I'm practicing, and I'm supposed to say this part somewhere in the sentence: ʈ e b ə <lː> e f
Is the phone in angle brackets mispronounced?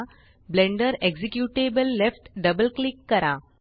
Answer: no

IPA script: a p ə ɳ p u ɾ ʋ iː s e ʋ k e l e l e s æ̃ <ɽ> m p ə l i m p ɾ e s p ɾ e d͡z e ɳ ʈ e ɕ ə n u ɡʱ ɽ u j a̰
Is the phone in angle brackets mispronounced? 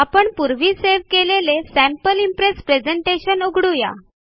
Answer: yes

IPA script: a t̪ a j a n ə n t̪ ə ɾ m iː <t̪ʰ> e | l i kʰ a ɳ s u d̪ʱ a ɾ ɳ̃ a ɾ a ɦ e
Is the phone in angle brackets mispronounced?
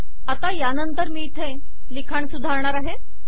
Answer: no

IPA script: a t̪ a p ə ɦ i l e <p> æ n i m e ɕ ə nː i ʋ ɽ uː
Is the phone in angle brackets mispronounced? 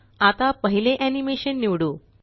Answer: yes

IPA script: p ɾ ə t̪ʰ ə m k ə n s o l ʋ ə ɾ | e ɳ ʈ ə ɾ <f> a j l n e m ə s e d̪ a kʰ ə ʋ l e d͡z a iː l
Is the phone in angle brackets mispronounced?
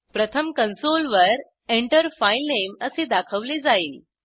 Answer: no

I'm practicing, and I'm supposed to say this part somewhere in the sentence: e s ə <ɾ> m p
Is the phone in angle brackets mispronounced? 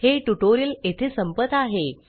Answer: yes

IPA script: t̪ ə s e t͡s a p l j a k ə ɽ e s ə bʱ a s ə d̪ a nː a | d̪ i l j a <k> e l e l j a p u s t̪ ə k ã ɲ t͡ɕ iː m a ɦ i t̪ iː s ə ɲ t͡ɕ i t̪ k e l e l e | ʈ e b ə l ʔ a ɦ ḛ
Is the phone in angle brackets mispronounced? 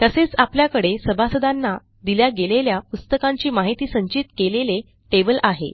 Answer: yes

